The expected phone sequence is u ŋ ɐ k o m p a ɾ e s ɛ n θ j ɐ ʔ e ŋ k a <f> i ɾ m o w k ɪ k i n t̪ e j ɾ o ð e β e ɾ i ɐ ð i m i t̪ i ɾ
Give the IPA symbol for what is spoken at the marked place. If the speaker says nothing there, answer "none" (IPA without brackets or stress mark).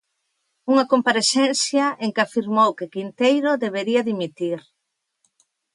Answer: f